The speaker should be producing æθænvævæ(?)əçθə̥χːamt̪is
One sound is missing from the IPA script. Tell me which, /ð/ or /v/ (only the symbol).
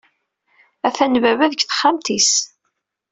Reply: ð